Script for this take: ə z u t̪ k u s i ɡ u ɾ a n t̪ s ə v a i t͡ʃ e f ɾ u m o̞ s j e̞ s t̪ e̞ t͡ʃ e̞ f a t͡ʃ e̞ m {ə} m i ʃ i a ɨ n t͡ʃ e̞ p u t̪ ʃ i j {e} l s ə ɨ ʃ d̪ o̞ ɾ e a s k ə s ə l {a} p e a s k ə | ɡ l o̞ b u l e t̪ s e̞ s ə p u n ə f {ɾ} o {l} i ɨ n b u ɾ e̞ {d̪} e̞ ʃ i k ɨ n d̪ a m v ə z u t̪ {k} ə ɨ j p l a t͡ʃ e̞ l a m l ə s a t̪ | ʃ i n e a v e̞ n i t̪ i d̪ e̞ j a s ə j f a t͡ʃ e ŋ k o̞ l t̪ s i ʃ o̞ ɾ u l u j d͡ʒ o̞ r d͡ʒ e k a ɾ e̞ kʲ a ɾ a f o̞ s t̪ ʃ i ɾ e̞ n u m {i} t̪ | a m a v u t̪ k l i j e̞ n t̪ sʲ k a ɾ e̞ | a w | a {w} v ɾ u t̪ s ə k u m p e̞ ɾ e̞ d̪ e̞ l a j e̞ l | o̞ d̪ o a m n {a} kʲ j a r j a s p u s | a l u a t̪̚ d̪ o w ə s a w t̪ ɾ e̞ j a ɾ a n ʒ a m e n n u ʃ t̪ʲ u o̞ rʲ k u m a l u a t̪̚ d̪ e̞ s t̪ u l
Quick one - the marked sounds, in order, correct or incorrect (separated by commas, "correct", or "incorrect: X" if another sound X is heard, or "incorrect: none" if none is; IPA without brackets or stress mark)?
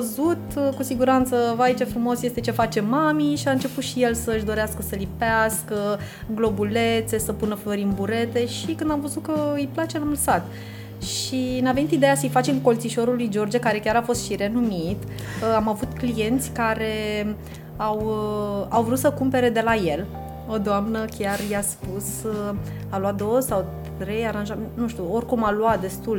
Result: incorrect: a, correct, incorrect: i, incorrect: l, incorrect: ɾ, incorrect: t̪, correct, correct, correct, incorrect: ə